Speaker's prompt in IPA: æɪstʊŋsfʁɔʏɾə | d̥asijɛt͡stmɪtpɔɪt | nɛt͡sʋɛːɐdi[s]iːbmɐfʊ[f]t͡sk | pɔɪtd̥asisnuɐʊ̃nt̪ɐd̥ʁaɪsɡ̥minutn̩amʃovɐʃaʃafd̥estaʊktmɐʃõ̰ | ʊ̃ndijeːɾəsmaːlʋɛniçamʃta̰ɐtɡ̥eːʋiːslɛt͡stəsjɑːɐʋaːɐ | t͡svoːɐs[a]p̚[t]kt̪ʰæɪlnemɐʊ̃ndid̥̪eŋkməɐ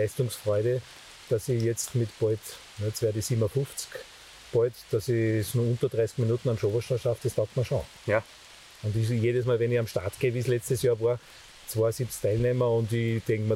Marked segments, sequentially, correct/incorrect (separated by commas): correct, correct, incorrect, incorrect